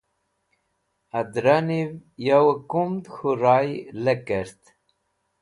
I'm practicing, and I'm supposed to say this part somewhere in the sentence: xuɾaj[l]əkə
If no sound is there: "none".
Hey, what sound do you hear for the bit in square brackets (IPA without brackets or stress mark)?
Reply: l